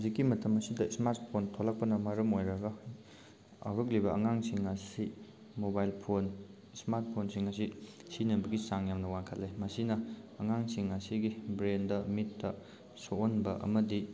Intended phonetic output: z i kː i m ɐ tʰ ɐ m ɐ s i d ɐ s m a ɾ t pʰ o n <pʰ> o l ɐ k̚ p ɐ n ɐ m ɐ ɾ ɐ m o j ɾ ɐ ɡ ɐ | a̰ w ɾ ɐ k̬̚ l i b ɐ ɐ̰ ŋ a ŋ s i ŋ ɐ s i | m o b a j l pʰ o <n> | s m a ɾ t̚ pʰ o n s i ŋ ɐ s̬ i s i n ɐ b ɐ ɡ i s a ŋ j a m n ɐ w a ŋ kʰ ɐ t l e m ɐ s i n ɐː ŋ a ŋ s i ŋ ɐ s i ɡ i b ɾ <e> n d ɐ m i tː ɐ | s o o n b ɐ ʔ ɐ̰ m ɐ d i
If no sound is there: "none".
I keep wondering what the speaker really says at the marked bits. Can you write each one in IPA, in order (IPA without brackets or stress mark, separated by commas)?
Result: tʰ, n, e